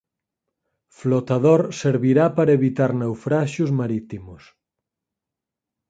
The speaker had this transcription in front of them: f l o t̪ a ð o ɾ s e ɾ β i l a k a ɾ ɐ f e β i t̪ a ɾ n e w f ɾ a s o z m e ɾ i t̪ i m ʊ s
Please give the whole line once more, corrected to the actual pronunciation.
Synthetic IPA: f l o t̪ a ð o ɾ s e ɾ β i ɾ a p a ɾ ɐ e β i t̪ a ɾ n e w f ɾ a ʃ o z m a ɾ i t̪ i m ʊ s